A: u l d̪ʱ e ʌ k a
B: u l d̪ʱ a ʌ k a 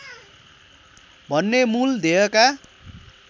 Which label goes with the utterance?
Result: A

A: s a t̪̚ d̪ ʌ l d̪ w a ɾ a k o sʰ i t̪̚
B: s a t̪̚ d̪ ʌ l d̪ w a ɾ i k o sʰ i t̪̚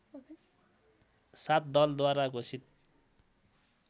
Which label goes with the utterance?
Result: A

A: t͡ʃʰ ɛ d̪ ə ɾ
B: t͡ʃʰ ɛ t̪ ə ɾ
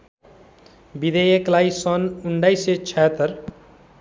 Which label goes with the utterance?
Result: B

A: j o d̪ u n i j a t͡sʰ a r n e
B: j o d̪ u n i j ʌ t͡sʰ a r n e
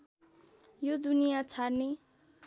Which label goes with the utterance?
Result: A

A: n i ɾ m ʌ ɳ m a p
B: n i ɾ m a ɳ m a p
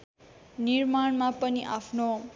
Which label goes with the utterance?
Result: B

